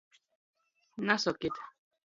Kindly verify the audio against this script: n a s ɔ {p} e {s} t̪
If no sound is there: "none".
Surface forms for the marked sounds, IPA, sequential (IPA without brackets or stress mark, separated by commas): k, none